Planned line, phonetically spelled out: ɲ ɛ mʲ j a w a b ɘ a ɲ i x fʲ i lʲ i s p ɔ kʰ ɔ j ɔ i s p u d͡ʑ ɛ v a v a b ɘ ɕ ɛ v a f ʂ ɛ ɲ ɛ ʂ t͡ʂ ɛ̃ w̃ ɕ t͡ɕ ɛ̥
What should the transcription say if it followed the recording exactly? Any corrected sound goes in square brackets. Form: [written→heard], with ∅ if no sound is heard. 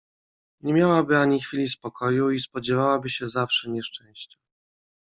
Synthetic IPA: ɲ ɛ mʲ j a w a b ɘ a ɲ i x fʲ i lʲ i s p ɔ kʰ ɔ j [ɔ→u] i s p [u→ɔ] d͡ʑ ɛ v a [v→w] a b ɘ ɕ ɛ [v→z] a f ʂ ɛ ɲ ɛ ʂ t͡ʂ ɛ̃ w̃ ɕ t͡ɕ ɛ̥